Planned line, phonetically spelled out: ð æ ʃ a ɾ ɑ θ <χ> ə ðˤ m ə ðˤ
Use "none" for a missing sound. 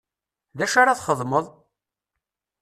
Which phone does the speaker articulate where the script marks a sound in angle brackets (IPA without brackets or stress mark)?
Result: χ